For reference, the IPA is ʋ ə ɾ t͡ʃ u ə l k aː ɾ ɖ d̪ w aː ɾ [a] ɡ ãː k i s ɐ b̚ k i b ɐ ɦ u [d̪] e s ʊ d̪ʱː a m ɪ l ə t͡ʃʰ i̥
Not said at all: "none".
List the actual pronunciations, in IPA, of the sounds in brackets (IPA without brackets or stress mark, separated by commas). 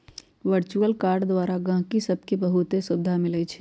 a, t̪